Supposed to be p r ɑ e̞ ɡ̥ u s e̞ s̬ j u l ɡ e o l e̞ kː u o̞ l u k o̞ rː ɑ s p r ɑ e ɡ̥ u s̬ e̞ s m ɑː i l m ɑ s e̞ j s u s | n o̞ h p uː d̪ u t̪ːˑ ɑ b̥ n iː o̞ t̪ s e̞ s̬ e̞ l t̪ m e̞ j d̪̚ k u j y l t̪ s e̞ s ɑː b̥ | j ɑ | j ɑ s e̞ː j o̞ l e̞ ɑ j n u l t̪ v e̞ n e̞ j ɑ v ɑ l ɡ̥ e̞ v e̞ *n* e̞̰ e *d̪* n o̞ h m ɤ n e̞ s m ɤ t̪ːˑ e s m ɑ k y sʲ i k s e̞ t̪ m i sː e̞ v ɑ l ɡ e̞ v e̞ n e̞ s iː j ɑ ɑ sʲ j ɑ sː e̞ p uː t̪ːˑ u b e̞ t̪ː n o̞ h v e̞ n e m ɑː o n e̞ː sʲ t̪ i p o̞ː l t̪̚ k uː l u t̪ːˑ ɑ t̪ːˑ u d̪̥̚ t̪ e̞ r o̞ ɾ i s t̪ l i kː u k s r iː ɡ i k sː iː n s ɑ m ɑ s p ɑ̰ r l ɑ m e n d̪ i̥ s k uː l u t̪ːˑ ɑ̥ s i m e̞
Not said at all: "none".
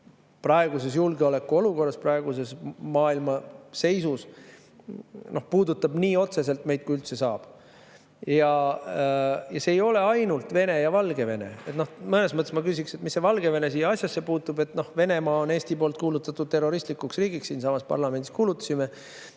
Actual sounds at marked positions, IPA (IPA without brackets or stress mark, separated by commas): n, t̪